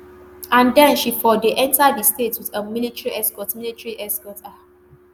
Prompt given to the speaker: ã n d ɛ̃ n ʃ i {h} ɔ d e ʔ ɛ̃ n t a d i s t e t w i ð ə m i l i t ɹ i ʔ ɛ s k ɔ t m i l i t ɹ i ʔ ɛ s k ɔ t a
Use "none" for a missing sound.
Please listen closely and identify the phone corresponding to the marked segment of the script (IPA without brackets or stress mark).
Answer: f